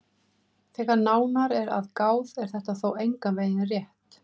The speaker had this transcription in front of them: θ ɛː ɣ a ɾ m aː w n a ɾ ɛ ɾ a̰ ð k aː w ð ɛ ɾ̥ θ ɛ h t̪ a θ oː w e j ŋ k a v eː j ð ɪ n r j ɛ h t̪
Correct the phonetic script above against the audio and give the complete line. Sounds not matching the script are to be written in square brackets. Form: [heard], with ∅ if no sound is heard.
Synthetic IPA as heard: θ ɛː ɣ a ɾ [n] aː w n a ɾ ɛ ɾ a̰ ð k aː w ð ɛ ɾ̥ θ ɛ h t̪ a θ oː w e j ŋ k a v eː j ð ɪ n r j ɛ h t̪